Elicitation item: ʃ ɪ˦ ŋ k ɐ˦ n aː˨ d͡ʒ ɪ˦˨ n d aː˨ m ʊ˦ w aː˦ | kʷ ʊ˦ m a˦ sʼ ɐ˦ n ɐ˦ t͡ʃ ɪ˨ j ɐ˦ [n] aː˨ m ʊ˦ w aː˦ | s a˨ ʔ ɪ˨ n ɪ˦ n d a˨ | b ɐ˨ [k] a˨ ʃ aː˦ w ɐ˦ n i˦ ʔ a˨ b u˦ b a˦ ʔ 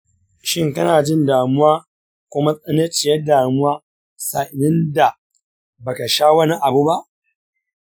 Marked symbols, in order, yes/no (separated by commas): no, yes